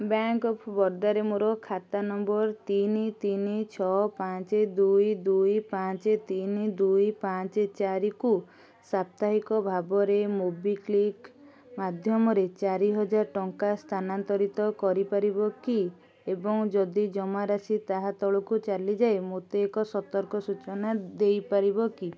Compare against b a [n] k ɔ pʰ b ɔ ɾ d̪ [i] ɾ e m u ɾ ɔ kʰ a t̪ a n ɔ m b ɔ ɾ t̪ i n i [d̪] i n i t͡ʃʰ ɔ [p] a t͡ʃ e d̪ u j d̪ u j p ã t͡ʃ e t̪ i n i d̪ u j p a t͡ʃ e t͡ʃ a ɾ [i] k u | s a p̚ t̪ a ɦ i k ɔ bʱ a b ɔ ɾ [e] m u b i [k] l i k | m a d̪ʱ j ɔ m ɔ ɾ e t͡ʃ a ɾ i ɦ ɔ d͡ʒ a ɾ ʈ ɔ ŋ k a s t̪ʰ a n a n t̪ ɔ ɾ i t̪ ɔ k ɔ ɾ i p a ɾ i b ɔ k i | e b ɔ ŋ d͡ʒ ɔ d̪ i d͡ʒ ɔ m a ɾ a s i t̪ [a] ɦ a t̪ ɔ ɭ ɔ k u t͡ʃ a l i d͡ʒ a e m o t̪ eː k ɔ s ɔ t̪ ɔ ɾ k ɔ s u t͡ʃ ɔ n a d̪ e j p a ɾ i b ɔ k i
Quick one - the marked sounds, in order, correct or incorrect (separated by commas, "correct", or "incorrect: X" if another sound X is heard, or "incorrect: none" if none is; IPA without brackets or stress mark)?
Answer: incorrect: ŋ, incorrect: a, incorrect: t̪, correct, correct, correct, correct, correct